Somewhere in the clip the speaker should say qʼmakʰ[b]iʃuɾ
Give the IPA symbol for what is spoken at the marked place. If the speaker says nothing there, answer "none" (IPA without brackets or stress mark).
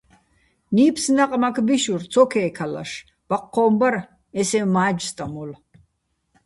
b